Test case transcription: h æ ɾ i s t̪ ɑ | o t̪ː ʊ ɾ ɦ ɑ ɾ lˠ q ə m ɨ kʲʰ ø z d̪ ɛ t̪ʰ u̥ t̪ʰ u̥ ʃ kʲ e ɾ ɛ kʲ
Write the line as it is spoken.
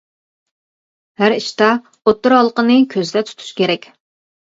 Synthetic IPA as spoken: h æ ɾ i ʃ t̪ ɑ | o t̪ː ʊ ɾ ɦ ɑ lˠ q ə n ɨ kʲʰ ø z d̪ ɛ t̪ʰ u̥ t̪ʰ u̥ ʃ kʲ e ɾ ɛ kʲ